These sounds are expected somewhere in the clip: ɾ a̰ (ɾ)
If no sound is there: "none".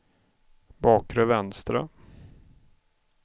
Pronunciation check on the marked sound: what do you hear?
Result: none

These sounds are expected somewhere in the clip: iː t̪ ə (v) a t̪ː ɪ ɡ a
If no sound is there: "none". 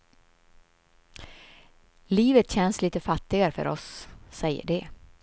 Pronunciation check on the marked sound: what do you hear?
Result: f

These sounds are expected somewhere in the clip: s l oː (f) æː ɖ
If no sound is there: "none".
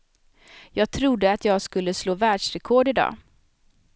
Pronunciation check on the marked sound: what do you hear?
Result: v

